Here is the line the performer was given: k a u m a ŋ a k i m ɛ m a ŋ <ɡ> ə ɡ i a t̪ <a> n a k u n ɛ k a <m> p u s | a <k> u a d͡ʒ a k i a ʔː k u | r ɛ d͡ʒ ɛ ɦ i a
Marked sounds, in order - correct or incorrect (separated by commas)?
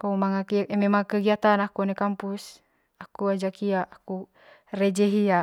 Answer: incorrect, correct, correct, correct